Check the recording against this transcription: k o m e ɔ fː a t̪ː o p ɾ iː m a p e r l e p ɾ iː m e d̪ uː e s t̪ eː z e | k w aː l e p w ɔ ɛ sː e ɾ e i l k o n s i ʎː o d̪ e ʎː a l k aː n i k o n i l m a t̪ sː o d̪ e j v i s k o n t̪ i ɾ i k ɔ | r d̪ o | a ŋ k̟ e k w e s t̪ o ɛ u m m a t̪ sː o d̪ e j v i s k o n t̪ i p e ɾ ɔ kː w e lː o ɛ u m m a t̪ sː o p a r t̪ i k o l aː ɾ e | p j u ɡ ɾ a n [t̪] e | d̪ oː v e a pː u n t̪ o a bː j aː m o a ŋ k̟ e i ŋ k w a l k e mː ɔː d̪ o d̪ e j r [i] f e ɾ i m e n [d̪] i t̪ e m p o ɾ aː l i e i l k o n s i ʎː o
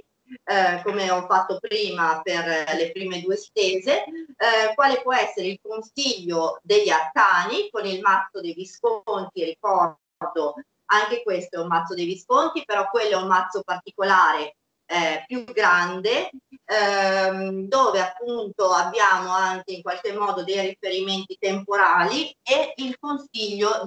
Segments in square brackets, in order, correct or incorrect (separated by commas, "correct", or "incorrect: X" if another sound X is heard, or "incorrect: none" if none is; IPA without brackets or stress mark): incorrect: d̪, correct, incorrect: t̪